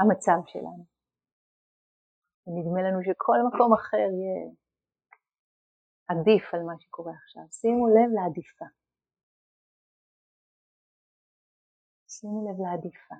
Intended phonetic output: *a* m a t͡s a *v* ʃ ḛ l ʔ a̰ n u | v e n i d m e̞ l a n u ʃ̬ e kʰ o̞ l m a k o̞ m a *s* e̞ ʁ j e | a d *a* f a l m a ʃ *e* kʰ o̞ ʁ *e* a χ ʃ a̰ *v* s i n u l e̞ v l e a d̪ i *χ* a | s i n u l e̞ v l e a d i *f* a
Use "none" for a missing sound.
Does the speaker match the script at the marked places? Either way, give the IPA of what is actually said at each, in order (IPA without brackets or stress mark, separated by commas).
a, v, χ, i, e, e, v, f, f